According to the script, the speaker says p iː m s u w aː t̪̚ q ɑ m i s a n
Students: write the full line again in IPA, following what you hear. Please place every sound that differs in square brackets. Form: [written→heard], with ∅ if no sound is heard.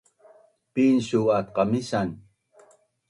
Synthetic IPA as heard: p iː [m→n] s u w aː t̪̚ q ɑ m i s a n